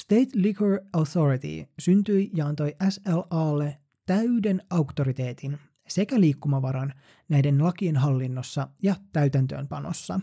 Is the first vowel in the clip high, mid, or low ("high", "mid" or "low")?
mid